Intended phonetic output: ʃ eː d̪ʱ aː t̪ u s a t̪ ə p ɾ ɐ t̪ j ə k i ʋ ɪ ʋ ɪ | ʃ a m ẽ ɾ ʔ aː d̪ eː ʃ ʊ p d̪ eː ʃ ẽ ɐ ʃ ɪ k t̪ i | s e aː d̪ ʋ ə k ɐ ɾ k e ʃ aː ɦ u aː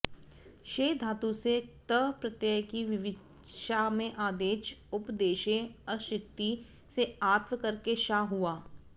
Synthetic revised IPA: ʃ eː d̪ʱ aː t̪ u s e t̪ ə p ɾ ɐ t̪ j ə k i ʋ ɪ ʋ ɪ | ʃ a m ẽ ʔ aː d̪ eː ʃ ʊ p d̪ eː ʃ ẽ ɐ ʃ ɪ k t̪ i | s e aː t̪ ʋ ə k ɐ ɾ k e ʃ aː ɦ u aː